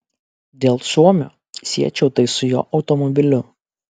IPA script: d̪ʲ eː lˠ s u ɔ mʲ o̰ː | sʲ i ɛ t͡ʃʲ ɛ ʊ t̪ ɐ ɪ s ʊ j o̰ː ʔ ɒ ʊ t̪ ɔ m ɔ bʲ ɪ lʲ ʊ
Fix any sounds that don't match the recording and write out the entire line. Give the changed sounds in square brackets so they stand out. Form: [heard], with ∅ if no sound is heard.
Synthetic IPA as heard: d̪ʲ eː lˠ s u ɔ mʲ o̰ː | sʲ i ɛ t͡ʃʲ ɛ ʊ t̪ ɐ ɪ s ʊ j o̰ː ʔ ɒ ʊ t̪ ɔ m ɔ bʲ ɪ lʲ ʊ